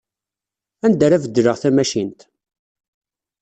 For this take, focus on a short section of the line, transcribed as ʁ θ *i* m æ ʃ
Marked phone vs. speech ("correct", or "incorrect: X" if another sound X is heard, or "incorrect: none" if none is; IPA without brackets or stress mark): incorrect: æ